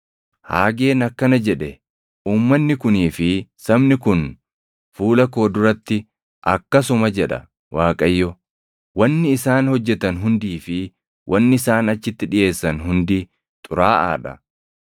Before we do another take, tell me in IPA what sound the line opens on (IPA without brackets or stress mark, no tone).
h